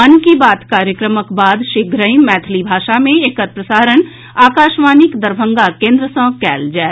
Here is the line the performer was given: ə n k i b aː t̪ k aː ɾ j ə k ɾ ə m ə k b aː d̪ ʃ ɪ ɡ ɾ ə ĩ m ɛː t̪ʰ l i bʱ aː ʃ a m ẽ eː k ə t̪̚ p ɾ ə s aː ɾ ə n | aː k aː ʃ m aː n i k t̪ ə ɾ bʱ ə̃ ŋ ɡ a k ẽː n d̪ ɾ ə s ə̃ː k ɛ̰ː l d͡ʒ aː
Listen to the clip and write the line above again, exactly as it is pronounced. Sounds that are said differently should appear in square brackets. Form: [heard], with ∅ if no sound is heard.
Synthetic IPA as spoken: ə n k i b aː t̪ k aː ɾ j ə k ɾ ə m ə k b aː d̪ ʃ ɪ ɡ ɾ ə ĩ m ɛː t̪ʰ l i bʱ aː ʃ a m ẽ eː k ə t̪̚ p ɾ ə s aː ɾ ə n | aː k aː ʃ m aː n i k [d̪] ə ɾ bʱ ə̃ ŋ ɡ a k ẽː n d̪ ɾ ə s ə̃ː k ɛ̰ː l d͡ʒ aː